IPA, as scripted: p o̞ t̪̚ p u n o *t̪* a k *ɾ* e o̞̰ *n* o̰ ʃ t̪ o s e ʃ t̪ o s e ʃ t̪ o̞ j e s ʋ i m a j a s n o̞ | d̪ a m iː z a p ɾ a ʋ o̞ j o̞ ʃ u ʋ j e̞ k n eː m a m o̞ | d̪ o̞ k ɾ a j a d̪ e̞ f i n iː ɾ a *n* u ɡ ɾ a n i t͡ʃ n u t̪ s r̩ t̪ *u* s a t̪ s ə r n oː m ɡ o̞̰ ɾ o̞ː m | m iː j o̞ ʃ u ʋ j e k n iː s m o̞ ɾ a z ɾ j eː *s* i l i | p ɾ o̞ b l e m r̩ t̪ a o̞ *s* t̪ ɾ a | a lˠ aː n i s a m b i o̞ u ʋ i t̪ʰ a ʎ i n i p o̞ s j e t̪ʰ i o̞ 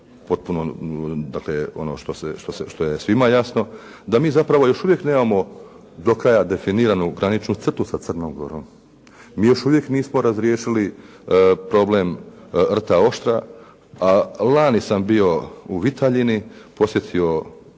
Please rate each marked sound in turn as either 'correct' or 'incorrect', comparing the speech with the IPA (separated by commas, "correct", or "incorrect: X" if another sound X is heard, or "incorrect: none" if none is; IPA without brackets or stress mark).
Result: incorrect: d̪, incorrect: l, correct, correct, correct, incorrect: ʃ, incorrect: ʃ